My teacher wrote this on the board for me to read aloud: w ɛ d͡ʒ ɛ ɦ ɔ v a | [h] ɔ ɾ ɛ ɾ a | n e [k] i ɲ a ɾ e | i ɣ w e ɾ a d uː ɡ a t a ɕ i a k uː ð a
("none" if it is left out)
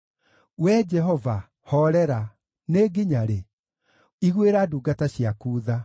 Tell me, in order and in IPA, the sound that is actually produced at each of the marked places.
h, ɡ

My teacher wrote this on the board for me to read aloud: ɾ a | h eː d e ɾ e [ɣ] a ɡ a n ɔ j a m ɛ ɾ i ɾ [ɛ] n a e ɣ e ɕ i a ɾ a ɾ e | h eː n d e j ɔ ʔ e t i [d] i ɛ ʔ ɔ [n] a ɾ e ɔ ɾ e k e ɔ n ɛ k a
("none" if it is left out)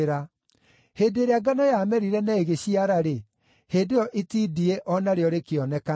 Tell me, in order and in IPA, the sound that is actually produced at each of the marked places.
none, ɛ, d, n

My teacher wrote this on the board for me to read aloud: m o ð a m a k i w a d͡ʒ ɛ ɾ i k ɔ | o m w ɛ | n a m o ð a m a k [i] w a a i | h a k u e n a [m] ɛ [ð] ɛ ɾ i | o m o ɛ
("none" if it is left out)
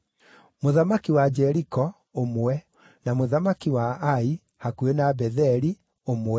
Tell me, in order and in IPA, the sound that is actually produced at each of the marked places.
i, b, ð

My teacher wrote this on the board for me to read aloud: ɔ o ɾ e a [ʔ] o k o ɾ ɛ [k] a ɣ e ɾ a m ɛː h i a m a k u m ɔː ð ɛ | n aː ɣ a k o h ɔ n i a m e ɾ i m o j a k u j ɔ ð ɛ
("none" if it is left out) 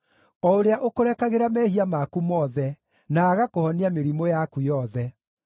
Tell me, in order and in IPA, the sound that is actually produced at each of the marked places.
ʔ, k

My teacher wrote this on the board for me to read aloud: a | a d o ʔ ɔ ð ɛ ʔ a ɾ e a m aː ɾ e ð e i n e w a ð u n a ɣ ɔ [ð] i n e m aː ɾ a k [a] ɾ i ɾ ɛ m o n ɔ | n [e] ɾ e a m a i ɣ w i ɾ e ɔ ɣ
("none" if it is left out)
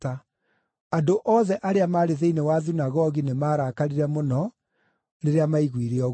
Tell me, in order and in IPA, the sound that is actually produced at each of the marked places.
ɣ, a, e

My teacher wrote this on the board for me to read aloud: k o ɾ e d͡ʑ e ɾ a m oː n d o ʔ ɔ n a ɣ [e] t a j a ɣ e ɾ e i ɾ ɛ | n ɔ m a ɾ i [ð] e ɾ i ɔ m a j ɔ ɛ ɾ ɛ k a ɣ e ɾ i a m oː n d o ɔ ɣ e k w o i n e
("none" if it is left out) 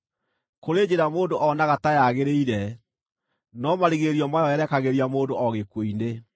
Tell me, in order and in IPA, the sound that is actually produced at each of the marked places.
a, ɣ

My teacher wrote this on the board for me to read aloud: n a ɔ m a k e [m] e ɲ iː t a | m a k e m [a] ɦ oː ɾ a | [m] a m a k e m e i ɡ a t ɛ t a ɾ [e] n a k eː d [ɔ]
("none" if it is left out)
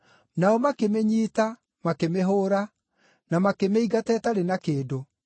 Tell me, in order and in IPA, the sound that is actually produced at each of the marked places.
m, e, n, e, o

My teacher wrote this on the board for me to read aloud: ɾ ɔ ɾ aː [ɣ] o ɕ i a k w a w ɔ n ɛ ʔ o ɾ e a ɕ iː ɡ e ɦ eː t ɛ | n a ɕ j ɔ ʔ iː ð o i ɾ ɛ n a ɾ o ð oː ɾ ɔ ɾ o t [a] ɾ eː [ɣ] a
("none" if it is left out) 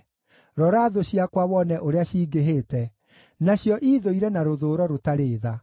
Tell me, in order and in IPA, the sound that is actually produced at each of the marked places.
ð, a, ð

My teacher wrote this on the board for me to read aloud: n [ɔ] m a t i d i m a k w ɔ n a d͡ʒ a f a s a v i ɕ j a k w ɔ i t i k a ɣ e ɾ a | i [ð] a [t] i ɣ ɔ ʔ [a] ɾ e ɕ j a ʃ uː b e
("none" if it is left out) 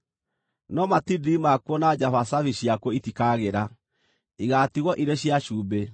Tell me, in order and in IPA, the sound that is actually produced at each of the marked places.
ɔ, ɣ, t, i

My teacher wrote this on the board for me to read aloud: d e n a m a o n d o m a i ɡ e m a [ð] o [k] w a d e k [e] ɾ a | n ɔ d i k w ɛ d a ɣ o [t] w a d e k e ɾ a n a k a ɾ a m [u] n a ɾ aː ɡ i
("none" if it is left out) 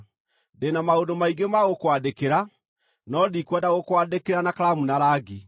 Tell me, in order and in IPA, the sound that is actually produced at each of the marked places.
ɣ, k, e, k, u

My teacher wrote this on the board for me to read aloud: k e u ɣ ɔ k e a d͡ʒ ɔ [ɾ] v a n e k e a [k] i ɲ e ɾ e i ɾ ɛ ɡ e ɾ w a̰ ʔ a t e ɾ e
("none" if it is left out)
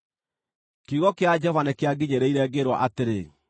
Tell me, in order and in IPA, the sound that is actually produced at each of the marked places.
none, ɡ

